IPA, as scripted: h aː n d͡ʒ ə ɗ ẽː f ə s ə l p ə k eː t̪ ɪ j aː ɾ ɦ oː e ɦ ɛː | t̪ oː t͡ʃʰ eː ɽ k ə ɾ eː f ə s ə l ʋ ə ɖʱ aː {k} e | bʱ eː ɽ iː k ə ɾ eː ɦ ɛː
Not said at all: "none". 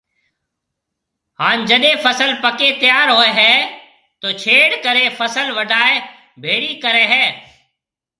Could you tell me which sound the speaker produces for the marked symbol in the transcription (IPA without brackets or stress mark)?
none